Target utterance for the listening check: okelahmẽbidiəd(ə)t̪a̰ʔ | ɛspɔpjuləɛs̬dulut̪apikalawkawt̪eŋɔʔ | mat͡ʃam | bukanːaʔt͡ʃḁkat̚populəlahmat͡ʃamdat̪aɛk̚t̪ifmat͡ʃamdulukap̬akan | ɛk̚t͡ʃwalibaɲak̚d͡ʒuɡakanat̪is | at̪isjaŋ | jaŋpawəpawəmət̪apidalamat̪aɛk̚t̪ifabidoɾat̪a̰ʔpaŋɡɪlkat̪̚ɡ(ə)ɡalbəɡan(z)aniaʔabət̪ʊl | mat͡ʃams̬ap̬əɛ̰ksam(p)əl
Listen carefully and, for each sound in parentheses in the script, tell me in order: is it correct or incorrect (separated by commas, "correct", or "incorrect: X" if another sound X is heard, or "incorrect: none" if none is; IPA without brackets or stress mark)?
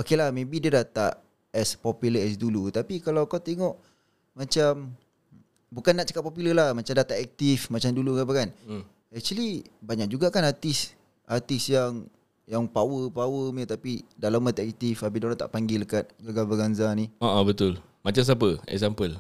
incorrect: a, incorrect: a, correct, correct